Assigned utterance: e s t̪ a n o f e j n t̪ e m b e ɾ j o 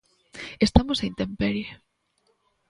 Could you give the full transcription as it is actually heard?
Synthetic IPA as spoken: e s t̪ a m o s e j n t̪ e m p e ɾ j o